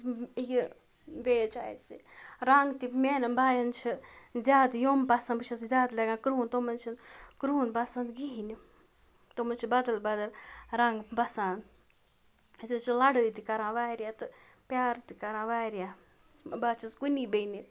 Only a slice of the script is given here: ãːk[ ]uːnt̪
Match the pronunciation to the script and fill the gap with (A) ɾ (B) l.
A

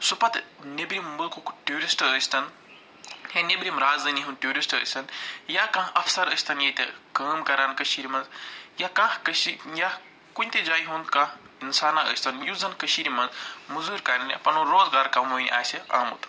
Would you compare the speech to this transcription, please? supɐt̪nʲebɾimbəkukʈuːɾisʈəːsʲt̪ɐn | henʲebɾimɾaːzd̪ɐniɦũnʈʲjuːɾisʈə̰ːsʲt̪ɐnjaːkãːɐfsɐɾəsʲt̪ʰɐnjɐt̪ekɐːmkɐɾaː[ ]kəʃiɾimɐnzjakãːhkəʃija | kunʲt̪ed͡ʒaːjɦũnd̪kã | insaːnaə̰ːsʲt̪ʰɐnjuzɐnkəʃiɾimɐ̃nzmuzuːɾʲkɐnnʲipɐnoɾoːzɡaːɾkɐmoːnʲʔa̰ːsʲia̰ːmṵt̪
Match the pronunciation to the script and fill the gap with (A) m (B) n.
B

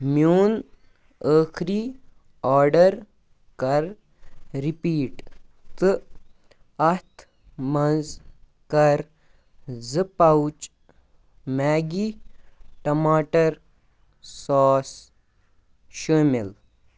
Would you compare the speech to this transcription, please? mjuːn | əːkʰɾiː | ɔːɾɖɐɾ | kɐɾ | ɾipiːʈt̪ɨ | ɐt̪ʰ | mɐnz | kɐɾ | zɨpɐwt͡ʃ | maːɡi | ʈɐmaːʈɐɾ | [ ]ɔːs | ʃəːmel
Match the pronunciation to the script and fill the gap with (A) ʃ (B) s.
B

